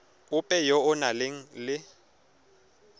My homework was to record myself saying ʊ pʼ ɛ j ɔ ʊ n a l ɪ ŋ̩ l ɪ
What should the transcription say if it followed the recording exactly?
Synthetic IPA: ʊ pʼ ɛ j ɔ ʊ n a l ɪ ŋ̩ l ɪ